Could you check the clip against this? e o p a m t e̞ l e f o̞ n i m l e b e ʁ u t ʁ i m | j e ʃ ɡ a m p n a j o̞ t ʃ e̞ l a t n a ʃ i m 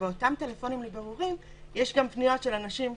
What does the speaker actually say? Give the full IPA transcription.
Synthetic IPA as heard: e o t a m t e̞ l e f o̞ n i m l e b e ʁ u ʁ i m | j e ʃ ɡ a m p n i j o̞ t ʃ e̞ l a n a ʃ i m